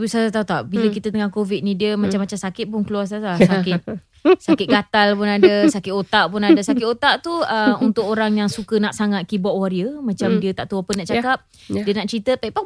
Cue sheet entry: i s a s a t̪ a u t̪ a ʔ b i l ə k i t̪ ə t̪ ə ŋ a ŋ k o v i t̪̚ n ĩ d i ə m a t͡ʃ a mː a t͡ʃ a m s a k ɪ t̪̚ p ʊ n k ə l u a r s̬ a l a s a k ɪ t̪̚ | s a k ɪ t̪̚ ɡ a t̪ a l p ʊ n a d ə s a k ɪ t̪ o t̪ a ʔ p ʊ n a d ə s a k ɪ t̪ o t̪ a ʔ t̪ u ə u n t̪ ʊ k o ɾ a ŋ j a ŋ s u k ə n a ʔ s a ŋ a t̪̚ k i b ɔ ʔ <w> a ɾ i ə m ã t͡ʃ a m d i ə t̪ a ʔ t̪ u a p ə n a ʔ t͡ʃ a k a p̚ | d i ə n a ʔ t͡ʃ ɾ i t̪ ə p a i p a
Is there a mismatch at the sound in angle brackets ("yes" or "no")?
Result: no